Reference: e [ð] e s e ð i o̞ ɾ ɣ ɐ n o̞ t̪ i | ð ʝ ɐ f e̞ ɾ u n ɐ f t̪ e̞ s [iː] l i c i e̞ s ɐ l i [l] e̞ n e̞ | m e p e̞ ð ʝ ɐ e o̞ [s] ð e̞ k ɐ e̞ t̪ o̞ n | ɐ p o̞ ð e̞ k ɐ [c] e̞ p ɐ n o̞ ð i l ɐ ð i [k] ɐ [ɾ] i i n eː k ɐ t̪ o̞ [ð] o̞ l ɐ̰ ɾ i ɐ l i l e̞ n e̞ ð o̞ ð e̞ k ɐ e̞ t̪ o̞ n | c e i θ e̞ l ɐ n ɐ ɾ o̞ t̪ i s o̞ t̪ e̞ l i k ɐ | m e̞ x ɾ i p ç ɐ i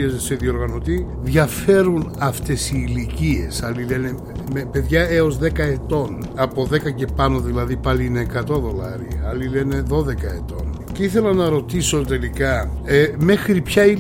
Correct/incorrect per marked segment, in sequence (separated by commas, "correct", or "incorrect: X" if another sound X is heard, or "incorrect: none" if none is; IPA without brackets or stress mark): incorrect: z, correct, correct, incorrect: z, correct, incorrect: p, incorrect: l, correct